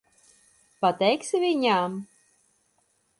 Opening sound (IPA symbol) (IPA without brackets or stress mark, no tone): p